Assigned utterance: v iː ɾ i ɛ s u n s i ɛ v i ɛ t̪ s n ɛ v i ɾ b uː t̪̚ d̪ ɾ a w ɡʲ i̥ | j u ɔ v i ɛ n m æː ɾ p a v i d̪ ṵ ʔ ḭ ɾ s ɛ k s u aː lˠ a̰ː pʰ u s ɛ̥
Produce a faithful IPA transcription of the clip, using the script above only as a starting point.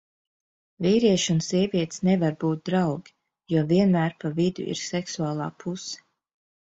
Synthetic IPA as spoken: v iː ɾ i ɛ ʃ u n s i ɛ v i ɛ t̪ s n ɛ v a ɾ b uː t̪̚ d̪ ɾ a w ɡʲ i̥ | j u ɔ v i ɛ n m æː ɾ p a v i d̪ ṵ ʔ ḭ ɾ s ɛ k s u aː lˠ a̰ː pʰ u s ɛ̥